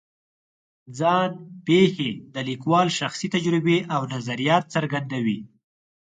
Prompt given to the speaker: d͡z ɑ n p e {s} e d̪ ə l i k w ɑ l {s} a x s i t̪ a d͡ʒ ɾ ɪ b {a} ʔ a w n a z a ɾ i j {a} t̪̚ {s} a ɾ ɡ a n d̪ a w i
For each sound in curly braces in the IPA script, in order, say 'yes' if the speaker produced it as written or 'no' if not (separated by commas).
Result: no, no, no, no, yes